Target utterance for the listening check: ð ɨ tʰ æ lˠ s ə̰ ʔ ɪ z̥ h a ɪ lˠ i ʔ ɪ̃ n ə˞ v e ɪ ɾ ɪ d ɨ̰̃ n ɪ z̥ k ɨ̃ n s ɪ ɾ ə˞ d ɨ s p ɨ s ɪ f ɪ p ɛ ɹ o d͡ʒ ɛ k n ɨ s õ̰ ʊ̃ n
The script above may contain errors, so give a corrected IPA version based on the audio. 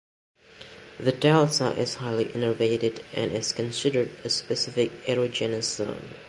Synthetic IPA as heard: ð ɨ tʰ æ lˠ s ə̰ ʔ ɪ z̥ h a ɪ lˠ i ʔ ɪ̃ n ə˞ v e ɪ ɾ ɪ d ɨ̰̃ n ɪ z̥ k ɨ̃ n s ɪ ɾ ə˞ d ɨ s p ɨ s ɪ f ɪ k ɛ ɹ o d͡ʒ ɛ n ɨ s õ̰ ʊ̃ n